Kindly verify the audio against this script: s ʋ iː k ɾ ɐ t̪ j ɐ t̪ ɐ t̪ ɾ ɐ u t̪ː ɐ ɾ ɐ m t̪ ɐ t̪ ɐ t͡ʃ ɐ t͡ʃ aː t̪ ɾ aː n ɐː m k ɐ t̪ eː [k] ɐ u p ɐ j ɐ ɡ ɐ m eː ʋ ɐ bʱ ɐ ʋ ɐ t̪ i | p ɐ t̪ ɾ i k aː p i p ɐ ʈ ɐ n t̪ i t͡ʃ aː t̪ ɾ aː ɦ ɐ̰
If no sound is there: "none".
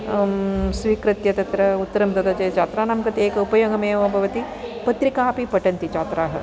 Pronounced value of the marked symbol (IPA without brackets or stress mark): k